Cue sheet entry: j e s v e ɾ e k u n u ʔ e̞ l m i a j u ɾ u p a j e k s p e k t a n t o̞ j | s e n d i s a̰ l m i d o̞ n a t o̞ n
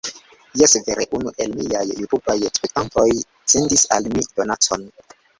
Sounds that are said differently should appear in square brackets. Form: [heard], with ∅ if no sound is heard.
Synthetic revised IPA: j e s v e ɾ e [ʔ] u n u ʔ e̞ l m i a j u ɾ u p a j e k s p e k t a n t o̞ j | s e n d i s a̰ l m i d o̞ n a [t͡s] o̞ n